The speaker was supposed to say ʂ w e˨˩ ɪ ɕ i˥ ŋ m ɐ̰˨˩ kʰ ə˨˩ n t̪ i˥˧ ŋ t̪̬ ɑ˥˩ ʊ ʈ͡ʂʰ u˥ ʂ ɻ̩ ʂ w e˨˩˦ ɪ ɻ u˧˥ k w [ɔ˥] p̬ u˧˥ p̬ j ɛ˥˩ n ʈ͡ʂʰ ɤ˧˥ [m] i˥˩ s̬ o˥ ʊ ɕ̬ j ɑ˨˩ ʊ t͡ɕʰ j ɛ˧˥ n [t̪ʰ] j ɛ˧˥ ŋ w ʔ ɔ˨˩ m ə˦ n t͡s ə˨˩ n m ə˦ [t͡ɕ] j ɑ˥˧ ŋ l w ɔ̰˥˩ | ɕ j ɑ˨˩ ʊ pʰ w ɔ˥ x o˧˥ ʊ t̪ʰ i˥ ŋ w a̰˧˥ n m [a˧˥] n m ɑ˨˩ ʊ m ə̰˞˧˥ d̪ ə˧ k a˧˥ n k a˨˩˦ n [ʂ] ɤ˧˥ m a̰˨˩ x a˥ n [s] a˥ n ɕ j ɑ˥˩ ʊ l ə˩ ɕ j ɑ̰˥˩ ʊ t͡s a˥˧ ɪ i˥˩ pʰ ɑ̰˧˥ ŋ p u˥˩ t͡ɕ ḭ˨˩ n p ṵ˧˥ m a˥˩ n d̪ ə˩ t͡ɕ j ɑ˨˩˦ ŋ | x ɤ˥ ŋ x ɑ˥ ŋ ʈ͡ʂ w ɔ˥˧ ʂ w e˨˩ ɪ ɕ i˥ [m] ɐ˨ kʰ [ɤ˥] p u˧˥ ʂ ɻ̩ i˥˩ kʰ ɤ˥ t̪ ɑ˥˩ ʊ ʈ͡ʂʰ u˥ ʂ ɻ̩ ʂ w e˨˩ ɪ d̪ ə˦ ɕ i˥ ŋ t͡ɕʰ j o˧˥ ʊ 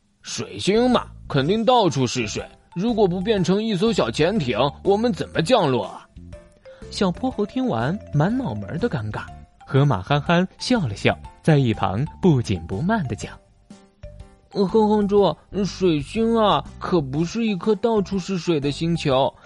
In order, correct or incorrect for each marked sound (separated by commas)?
incorrect, incorrect, correct, correct, correct, incorrect, incorrect, incorrect, incorrect